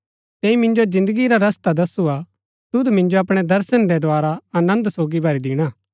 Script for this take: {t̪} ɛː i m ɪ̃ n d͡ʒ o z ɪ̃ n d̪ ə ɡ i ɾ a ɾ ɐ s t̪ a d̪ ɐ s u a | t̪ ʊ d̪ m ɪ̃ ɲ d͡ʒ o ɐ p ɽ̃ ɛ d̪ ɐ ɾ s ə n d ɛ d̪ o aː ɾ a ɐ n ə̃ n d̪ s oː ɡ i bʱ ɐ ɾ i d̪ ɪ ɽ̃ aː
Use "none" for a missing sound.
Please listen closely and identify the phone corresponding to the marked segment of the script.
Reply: t̪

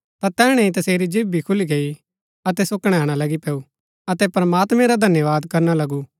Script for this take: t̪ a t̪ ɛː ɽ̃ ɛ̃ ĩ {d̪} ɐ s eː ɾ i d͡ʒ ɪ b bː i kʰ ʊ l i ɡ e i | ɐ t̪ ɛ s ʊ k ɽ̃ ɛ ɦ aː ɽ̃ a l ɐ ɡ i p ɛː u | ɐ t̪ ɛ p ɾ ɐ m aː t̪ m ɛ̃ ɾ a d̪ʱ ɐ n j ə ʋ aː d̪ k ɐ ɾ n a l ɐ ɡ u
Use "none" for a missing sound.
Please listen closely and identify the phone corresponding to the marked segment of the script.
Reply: t̪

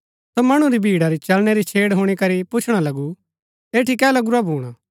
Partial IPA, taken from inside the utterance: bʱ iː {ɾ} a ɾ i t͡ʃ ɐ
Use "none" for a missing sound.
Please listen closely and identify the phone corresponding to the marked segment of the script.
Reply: ɽ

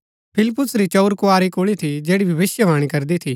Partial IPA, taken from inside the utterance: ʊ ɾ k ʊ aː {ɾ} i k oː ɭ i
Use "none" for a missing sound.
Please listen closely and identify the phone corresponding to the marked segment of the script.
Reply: ɾ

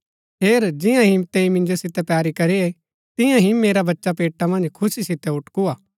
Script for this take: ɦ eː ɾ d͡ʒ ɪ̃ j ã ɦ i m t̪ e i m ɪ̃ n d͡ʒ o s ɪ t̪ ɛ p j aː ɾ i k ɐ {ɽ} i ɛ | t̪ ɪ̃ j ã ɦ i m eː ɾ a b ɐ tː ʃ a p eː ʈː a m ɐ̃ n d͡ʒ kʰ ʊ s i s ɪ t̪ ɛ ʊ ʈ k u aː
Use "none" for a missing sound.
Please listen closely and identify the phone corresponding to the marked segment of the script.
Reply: ɾ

